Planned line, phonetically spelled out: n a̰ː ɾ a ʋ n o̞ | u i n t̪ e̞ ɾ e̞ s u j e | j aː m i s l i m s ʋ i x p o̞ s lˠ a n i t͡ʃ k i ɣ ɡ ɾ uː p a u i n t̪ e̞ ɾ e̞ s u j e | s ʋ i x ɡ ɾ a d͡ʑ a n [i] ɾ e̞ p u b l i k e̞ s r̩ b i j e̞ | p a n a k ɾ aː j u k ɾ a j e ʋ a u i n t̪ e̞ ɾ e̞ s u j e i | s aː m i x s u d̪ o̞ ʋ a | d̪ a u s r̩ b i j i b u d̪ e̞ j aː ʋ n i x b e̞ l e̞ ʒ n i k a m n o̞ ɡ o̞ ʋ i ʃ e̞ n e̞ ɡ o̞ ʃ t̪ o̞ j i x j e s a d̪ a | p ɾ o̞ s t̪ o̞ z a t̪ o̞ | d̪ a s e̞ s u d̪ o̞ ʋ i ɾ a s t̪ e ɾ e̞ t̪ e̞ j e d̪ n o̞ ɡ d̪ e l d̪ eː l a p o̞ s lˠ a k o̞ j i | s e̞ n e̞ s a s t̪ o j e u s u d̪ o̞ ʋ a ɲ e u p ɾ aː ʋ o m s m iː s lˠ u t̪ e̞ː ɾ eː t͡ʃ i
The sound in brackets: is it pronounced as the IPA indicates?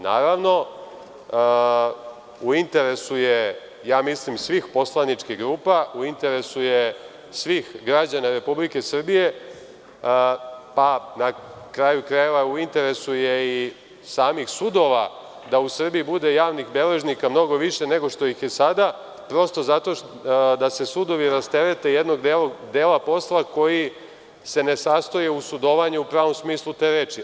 no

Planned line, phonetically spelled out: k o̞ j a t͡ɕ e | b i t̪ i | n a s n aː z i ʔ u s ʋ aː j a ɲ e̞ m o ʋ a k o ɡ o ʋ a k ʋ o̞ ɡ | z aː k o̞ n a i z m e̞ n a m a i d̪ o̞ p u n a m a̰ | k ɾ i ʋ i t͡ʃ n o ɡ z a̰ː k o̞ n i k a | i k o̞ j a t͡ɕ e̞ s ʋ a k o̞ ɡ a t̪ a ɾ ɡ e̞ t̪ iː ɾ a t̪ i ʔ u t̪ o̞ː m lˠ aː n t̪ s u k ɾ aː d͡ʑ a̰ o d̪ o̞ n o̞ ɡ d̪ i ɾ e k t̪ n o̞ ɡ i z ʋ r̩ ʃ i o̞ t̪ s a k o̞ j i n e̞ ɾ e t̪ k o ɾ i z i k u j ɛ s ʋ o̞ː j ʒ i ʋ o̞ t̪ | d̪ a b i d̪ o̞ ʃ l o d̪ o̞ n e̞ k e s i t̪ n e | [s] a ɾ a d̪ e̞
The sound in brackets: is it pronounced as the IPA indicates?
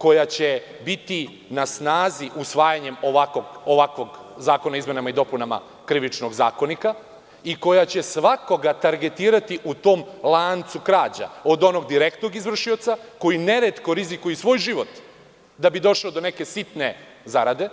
no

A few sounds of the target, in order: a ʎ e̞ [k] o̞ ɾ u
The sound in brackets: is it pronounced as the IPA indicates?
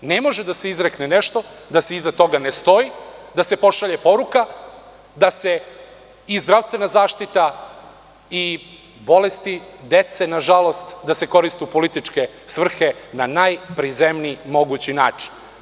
no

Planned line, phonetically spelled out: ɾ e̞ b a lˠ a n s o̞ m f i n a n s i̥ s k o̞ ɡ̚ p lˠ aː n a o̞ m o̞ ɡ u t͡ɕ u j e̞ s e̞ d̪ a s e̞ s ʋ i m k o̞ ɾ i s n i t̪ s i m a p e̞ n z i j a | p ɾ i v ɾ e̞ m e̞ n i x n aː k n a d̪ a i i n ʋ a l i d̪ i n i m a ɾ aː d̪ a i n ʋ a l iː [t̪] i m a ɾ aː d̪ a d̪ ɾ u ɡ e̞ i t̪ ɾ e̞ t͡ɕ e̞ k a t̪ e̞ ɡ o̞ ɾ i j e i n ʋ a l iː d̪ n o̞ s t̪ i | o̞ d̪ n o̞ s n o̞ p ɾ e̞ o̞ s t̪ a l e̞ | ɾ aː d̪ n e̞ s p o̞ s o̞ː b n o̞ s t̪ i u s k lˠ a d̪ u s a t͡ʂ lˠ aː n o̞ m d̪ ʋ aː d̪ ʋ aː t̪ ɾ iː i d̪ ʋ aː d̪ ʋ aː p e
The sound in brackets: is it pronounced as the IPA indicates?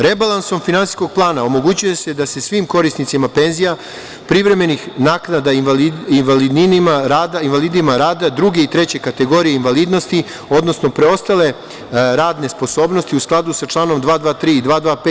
no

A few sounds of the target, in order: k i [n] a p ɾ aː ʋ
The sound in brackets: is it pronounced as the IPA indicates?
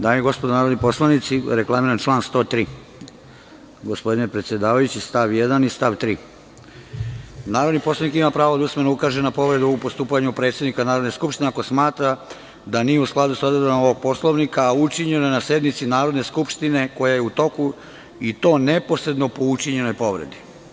no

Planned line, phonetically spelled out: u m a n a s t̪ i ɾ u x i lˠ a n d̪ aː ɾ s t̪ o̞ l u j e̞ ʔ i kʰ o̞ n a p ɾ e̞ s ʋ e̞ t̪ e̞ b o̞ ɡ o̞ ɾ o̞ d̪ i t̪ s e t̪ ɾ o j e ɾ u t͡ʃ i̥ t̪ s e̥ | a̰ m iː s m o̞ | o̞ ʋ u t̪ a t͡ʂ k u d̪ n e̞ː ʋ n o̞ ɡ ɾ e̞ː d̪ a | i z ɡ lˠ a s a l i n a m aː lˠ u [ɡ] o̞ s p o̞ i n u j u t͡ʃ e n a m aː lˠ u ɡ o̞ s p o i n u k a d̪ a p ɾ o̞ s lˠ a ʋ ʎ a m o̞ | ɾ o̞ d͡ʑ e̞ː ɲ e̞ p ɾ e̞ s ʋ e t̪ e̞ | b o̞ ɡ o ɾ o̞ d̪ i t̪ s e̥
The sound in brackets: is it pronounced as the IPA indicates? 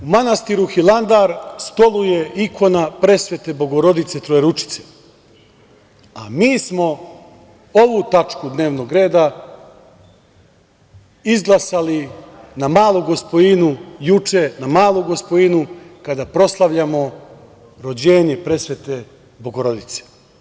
yes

